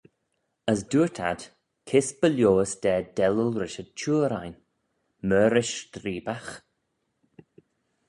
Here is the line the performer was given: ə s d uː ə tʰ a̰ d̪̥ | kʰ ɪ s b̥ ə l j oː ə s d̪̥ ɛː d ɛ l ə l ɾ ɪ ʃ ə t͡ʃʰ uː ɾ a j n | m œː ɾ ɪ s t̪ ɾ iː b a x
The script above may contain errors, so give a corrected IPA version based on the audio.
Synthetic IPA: ə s d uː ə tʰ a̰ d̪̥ | kʰ ɪ s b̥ ə l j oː ə s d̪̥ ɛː d ɛ l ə l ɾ ɪ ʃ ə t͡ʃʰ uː ɾ a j n | m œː ɾ ɪ ʃ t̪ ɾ iː b a x